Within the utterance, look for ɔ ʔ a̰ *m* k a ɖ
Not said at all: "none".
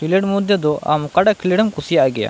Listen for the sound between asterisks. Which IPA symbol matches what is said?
m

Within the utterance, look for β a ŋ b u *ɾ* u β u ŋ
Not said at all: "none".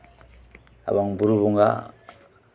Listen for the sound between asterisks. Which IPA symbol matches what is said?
ɾ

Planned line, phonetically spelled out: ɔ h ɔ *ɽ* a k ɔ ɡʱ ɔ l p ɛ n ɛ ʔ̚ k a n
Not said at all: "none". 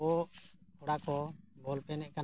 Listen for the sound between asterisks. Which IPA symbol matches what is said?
ɽ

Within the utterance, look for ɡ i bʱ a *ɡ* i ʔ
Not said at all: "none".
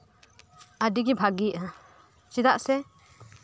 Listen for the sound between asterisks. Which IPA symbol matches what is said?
ɡ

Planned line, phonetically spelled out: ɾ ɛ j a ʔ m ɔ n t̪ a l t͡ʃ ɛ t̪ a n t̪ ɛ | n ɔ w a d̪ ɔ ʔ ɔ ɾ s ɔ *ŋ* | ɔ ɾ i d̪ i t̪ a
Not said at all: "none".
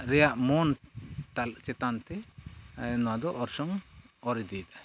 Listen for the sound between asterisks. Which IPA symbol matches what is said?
ŋ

